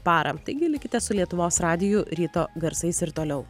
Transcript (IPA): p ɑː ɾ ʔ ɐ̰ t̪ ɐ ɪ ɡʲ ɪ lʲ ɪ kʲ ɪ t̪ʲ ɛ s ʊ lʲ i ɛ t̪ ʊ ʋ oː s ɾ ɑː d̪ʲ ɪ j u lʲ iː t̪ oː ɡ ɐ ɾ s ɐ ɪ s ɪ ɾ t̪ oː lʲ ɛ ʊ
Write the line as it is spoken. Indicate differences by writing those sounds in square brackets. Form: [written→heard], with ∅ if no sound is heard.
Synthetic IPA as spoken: p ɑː ɾ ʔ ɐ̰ t̪ ɐ ɪ ɡʲ ɪ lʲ ɪ kʲ ɪ t̪ʲ ɛ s ʊ lʲ i ɛ t̪ ʊ ʋ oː s ɾ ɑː d̪ʲ ɪ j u [lʲ→ɾʲ] iː t̪ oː ɡ ɐ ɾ s ɐ ɪ s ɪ ɾ t̪ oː lʲ ɛ ʊ